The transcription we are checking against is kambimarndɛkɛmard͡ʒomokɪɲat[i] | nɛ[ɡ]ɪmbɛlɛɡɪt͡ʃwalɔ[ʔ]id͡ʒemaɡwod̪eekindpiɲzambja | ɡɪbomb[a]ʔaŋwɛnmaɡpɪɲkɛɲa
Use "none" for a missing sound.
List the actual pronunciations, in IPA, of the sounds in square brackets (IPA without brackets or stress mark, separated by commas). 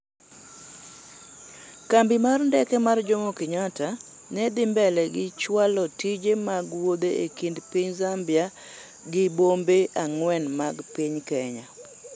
a, d, t, e